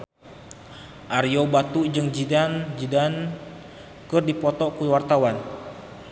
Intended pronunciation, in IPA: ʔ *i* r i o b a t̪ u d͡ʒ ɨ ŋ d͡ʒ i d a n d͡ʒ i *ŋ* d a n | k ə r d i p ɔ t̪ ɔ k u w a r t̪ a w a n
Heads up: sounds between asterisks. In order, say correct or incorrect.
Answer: incorrect: a, incorrect: none

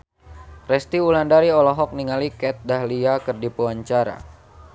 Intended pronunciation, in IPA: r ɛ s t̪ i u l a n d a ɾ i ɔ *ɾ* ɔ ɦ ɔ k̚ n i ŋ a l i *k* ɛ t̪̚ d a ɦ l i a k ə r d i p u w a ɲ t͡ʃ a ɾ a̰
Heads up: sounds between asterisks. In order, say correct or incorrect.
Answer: incorrect: l, correct

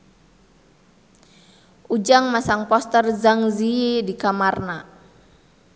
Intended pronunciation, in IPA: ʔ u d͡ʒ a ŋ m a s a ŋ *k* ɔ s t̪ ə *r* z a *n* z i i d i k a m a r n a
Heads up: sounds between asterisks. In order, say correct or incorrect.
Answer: incorrect: p, correct, incorrect: ŋ

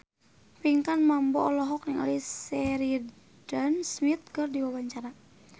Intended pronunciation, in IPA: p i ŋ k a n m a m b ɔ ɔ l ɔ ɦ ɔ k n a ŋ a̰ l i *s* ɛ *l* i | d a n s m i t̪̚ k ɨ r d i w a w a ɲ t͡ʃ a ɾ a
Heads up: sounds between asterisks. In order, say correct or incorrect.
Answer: correct, incorrect: ɾ

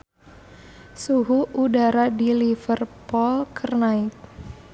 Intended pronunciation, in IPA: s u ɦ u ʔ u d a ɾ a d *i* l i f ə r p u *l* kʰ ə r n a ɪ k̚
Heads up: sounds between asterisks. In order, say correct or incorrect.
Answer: correct, correct

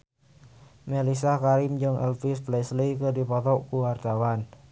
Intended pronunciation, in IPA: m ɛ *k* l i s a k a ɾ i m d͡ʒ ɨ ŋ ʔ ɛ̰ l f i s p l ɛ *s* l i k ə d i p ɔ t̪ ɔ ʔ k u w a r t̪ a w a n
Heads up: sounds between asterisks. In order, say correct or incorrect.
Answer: incorrect: none, correct

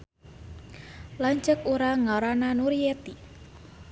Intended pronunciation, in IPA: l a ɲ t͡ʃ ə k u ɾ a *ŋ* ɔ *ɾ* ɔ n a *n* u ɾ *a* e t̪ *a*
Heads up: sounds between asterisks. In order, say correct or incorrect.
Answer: correct, correct, correct, incorrect: i, incorrect: i

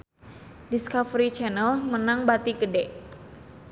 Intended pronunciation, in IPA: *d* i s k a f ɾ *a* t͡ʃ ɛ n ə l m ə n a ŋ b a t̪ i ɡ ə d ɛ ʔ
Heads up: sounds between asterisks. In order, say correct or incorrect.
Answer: correct, incorrect: i

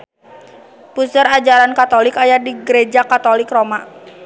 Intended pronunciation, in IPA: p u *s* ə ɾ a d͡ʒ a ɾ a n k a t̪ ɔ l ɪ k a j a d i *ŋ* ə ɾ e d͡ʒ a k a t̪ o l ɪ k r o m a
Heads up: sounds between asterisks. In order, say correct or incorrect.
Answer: correct, incorrect: ɡ

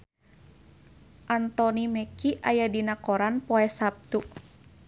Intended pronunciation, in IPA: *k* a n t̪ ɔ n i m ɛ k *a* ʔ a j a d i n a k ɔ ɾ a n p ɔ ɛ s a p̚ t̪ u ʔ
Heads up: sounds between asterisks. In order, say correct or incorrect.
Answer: incorrect: ʔ, incorrect: i

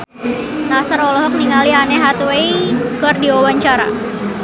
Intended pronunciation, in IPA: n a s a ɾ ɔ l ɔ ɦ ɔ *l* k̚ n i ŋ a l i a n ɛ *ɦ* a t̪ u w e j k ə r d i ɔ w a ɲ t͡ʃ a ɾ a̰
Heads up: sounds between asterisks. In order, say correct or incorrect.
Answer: incorrect: none, correct

